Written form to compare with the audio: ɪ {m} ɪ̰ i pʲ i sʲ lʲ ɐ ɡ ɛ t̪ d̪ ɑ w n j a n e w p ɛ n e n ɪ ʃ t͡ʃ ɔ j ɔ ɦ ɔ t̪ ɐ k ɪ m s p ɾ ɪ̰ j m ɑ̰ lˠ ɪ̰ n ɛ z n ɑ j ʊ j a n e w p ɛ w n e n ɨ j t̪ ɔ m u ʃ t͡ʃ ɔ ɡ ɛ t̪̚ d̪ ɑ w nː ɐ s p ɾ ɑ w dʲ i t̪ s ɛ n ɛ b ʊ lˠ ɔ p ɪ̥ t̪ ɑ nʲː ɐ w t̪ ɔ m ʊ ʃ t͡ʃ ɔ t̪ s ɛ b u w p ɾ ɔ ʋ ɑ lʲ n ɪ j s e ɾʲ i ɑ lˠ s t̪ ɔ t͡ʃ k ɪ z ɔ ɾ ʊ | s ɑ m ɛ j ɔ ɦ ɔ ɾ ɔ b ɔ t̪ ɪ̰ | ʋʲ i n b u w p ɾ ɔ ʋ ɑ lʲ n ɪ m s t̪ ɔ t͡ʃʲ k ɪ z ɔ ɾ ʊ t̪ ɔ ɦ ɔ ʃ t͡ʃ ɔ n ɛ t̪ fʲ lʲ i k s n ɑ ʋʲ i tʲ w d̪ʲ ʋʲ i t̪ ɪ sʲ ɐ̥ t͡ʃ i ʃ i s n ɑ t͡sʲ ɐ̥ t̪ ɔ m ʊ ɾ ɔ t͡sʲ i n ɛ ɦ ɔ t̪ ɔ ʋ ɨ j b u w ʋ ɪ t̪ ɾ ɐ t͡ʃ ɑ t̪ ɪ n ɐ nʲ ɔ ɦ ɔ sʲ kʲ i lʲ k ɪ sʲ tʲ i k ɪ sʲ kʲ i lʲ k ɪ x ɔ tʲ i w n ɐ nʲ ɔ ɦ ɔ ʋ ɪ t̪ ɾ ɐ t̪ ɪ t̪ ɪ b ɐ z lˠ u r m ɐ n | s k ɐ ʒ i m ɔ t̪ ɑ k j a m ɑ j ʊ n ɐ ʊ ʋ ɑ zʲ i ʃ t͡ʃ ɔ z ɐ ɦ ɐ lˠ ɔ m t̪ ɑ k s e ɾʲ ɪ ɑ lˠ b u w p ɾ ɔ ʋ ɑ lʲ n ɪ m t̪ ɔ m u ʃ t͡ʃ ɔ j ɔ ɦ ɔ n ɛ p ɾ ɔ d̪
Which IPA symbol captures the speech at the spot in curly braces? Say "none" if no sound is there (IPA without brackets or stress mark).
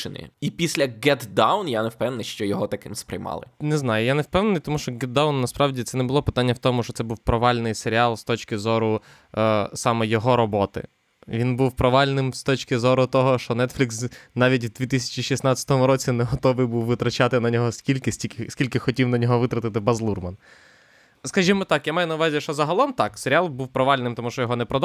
n